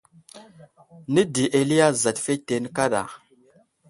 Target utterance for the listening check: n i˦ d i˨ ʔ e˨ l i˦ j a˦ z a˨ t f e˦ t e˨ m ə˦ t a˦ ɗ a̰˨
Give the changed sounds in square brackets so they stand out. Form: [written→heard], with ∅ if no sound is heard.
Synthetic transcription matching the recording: n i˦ d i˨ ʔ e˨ l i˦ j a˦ z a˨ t f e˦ t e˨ [m→n] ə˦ [t→k] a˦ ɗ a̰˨